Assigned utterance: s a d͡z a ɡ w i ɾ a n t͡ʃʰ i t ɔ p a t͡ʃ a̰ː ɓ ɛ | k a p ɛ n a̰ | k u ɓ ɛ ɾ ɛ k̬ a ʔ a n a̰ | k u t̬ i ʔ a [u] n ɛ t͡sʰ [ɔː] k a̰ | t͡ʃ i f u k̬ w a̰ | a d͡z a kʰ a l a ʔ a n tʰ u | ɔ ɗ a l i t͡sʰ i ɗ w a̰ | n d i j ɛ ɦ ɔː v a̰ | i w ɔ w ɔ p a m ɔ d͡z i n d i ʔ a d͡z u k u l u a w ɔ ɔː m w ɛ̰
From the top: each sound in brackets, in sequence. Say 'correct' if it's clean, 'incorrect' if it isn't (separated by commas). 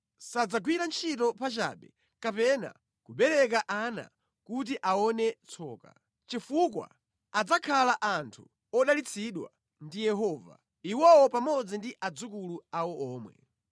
incorrect, correct